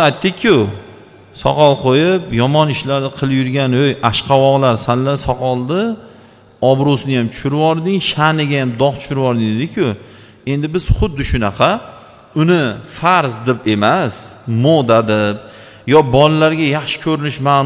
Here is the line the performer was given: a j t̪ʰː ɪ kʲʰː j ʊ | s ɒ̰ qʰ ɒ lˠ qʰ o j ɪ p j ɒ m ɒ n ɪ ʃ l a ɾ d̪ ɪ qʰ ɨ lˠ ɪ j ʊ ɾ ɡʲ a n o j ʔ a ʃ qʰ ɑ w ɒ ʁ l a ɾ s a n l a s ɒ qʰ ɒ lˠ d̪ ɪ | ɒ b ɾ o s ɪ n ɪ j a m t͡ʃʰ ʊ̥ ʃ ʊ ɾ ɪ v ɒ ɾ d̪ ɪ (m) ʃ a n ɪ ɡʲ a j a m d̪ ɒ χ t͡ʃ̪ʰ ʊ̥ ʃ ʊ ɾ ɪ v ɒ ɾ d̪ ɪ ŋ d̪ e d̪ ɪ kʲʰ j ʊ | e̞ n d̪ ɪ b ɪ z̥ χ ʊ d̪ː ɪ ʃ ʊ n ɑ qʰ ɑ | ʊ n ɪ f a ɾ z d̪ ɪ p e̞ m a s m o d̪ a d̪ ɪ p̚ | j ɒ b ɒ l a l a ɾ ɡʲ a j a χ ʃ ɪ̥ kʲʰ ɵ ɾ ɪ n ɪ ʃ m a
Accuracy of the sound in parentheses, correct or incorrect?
incorrect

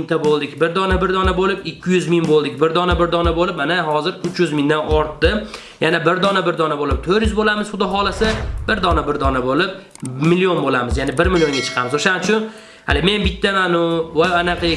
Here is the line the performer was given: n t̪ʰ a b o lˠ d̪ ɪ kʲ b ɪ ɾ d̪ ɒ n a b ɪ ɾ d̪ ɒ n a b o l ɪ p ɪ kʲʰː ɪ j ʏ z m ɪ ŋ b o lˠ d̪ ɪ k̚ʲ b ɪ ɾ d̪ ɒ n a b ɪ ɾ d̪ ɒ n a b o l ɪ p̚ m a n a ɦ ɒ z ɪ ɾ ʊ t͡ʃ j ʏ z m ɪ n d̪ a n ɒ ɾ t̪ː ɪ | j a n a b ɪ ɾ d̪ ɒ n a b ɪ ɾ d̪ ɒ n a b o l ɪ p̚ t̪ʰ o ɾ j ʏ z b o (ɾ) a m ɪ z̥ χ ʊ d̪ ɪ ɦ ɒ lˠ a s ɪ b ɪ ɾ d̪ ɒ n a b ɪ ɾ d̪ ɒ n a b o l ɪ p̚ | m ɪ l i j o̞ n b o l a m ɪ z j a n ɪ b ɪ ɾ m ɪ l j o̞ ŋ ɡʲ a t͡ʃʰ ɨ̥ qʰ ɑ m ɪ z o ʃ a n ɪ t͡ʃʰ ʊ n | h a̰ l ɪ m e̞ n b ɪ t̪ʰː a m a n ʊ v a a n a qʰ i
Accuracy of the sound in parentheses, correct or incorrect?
incorrect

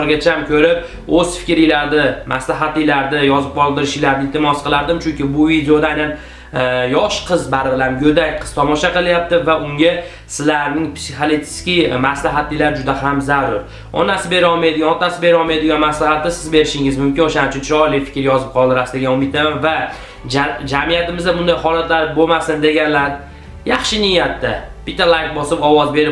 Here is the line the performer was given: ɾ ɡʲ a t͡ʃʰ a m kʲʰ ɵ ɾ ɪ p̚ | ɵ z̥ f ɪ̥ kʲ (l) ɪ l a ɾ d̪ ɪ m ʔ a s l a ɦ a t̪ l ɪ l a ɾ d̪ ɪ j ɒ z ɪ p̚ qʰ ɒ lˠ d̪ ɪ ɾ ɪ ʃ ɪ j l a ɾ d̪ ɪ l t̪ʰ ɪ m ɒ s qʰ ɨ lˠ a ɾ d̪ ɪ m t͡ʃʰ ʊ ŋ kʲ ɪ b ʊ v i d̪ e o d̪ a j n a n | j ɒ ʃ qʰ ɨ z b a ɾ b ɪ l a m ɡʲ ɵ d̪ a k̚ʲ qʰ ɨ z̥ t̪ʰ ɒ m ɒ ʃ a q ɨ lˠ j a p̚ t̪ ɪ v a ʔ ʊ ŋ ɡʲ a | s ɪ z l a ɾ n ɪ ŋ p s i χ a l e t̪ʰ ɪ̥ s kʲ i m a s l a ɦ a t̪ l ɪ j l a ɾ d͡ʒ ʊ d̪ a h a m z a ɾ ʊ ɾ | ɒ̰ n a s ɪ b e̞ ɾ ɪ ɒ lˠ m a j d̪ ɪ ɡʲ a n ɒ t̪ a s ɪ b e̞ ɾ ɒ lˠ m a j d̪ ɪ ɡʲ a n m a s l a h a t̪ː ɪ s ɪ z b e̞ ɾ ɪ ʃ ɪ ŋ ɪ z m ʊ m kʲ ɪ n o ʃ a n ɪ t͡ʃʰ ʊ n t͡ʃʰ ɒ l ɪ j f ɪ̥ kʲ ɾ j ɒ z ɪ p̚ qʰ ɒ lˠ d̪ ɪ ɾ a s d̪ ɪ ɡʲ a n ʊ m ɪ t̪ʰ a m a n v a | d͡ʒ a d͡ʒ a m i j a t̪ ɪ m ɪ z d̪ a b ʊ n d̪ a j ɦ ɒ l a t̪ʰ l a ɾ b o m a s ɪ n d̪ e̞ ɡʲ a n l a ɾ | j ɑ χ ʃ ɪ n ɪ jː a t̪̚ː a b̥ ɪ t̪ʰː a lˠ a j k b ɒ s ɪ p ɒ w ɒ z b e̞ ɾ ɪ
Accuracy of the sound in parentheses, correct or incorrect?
incorrect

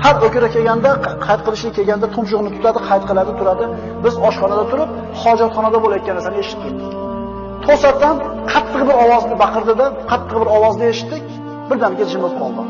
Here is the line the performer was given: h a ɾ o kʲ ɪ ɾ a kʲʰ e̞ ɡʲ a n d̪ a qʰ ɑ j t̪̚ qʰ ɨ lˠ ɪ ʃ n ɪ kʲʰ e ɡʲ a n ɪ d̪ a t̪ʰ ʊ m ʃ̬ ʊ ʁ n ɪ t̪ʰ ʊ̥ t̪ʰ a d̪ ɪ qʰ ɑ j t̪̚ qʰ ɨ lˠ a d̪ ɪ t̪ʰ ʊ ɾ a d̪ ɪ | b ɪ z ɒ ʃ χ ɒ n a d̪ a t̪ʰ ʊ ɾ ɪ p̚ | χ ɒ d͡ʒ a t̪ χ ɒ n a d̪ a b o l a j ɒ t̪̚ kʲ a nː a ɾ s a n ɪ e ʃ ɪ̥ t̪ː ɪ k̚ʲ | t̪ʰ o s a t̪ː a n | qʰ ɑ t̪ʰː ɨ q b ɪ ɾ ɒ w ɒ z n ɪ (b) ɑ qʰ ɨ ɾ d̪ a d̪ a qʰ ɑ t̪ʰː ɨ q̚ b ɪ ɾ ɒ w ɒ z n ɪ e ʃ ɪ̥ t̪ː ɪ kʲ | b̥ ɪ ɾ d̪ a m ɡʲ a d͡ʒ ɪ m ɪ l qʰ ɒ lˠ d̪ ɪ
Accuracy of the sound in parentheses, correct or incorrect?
correct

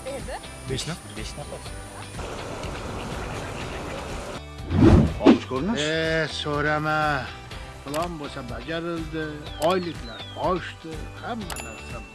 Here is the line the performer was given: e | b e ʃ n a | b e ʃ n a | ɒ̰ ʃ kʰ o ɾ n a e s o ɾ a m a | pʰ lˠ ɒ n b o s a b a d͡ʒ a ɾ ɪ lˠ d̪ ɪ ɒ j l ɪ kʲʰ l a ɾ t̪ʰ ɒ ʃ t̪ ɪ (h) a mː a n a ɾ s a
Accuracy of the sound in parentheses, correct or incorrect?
correct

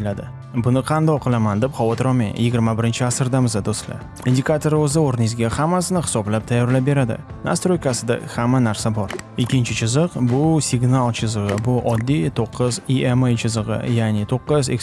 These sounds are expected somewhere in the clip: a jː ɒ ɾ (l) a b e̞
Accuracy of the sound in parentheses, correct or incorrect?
correct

